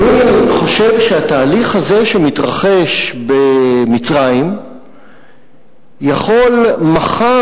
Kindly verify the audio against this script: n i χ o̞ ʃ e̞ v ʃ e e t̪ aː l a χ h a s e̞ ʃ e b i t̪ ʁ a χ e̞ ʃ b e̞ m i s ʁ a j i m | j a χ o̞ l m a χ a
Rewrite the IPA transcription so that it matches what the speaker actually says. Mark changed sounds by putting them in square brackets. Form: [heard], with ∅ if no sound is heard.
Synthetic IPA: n i χ o̞ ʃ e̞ v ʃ e [a] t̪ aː l [i] χ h a [z] e̞ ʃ e [m] i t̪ ʁ a χ e̞ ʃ b e̞ m i [t͡s] ʁ a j i m | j a χ o̞ l m a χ a